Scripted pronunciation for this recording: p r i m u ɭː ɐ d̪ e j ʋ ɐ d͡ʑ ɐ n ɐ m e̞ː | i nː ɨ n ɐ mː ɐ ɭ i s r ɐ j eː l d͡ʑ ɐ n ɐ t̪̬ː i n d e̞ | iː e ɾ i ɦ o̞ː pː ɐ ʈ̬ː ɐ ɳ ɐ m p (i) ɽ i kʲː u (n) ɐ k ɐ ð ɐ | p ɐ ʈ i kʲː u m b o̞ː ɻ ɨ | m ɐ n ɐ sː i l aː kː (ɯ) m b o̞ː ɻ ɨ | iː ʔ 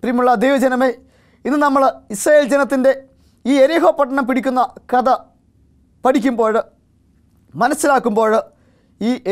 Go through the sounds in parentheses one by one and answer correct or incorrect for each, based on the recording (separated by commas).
correct, incorrect, incorrect